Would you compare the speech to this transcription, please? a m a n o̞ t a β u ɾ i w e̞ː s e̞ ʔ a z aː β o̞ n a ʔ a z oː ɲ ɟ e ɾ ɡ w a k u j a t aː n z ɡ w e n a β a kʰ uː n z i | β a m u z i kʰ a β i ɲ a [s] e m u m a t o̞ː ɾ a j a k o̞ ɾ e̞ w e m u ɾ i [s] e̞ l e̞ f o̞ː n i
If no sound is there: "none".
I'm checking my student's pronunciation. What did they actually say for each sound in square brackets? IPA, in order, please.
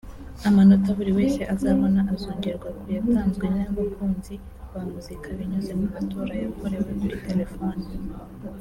z, t

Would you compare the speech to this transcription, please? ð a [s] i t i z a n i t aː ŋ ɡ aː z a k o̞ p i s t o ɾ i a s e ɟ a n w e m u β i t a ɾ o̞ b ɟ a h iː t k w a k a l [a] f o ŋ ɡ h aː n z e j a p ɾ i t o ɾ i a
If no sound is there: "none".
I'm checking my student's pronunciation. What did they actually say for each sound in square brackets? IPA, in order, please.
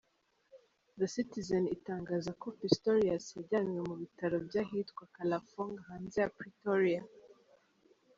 s, a

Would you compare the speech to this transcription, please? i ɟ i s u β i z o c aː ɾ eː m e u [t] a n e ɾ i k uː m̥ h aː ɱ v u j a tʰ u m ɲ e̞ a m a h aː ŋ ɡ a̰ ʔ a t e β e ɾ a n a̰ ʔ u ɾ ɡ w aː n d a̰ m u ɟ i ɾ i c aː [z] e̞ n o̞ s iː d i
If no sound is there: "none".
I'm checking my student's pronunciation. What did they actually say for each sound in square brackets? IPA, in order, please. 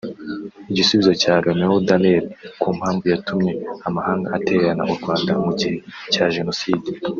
d, ʒ

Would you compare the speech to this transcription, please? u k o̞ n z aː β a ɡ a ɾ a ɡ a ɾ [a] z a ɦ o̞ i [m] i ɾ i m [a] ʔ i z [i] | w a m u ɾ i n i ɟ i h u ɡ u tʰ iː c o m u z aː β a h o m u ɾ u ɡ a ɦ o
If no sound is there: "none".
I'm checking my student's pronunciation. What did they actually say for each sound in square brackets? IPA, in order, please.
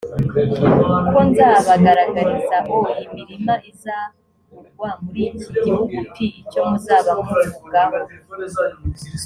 i, m, a, a

